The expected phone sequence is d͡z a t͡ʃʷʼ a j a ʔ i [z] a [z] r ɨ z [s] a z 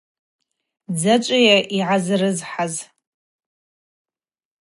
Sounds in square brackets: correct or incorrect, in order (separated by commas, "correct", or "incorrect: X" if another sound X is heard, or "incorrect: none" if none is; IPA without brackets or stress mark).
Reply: incorrect: ʕ, correct, incorrect: ħ